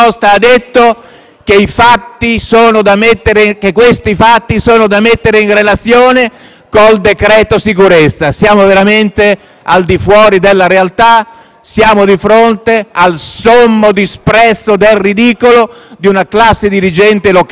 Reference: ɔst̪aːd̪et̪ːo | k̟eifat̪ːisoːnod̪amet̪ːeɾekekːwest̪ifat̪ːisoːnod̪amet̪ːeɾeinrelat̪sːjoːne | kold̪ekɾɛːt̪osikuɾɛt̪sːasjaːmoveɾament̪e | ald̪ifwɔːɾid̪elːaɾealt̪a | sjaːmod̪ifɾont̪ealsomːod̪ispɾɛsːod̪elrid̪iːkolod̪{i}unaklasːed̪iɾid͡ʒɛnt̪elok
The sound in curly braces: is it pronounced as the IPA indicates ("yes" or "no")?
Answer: yes